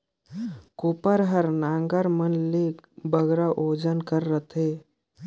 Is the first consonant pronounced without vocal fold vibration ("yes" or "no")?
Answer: yes